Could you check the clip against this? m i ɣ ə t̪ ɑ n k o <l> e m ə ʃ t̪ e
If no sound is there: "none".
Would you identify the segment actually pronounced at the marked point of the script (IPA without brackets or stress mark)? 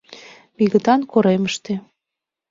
ɾ